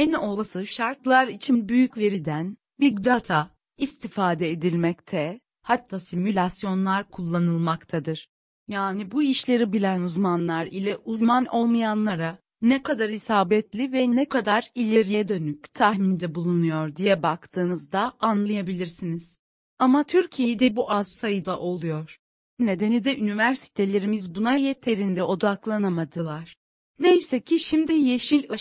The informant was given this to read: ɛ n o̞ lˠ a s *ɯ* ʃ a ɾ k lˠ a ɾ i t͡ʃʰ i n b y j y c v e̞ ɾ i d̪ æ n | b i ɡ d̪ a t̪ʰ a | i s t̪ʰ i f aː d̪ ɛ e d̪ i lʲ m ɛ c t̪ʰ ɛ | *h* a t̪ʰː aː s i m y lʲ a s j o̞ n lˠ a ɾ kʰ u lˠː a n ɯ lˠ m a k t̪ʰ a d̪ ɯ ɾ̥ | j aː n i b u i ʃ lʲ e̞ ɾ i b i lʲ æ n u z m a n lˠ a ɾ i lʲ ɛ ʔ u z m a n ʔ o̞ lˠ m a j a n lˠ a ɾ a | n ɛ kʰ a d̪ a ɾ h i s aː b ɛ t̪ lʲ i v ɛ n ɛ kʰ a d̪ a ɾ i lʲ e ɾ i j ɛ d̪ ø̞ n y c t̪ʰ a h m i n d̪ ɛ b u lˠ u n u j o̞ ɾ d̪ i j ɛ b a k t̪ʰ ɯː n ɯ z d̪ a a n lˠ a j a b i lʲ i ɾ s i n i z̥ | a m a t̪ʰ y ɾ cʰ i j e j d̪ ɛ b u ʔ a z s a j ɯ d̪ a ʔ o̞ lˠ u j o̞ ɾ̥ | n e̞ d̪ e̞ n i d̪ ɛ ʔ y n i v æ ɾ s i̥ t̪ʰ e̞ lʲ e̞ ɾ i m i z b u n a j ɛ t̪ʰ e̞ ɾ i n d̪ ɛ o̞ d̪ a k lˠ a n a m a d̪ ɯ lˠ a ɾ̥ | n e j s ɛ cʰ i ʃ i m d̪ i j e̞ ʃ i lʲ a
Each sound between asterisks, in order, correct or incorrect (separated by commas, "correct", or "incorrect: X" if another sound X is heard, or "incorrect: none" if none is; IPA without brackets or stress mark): correct, correct